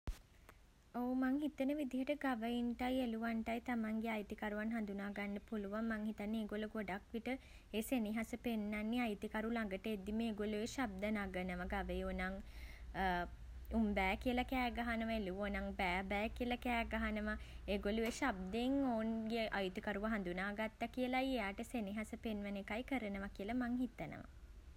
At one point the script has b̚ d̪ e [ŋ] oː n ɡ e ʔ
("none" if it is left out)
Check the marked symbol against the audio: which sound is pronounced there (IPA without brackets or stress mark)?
ŋ